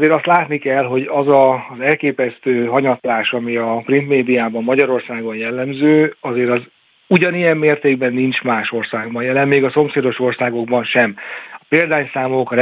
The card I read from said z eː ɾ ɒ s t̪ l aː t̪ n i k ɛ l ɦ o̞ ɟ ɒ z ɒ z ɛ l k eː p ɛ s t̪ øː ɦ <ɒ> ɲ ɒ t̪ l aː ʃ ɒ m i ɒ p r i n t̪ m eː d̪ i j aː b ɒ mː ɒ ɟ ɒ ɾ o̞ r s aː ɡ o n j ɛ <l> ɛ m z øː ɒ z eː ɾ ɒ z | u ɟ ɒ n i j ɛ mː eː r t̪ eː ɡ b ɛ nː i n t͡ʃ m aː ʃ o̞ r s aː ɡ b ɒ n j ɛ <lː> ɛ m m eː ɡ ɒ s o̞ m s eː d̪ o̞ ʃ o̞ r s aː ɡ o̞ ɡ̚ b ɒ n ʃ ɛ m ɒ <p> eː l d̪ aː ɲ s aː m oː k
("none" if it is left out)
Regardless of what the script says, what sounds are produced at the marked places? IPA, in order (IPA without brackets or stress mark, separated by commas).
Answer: ɒ, lː, l, p